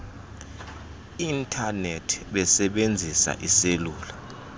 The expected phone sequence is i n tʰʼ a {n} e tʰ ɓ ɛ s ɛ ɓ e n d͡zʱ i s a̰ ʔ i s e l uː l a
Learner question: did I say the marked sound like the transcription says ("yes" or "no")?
yes